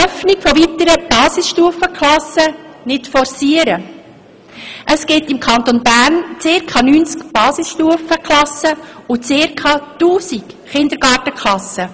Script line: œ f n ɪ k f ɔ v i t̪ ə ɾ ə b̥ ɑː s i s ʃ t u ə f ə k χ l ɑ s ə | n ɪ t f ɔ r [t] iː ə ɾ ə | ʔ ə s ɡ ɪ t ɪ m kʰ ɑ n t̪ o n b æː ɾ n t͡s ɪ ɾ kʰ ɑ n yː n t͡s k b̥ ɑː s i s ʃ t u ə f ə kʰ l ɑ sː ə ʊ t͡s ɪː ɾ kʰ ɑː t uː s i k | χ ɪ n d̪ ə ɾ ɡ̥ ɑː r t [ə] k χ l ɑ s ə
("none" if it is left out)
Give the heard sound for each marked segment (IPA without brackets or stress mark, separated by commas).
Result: s, ə